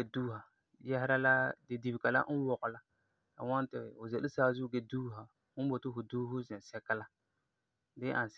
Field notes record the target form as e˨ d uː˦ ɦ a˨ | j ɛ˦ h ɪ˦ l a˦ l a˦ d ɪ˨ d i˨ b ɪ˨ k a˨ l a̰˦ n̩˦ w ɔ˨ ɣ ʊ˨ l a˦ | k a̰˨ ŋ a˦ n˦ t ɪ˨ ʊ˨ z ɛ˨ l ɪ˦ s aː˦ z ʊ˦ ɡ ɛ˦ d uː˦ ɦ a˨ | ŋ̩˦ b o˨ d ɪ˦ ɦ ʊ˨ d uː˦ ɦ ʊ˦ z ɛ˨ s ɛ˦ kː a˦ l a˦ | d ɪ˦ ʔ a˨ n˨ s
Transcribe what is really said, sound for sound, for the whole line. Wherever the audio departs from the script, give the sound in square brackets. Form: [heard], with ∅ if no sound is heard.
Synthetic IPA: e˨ d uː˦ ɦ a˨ | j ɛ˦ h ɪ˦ [ɾ] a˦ l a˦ d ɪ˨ d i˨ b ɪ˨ k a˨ l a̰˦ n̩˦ w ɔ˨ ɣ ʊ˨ l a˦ | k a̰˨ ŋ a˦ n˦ t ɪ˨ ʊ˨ z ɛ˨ l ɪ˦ s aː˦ z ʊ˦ ɡ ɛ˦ d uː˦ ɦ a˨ | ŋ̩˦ b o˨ [t] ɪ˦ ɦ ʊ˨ d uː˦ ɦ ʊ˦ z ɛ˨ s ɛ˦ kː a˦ l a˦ | d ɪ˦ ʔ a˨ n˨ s

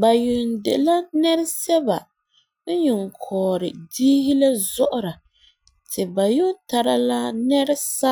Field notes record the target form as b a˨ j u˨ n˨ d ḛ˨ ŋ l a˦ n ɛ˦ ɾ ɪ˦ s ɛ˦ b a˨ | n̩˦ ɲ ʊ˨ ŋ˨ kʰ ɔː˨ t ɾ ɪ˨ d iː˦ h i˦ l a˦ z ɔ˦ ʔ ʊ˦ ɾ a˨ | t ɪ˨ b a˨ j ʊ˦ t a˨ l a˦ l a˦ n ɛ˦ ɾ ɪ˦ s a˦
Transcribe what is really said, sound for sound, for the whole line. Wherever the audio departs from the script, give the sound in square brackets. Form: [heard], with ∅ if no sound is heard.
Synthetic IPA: b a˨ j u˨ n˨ d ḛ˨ [∅] l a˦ n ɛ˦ ɾ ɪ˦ s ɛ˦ b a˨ | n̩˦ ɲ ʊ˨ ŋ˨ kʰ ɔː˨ [∅] ɾ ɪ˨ d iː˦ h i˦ l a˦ z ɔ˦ ʔ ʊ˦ ɾ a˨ | t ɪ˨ b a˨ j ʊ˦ t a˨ [ɾ] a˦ l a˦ n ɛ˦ ɾ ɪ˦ s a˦

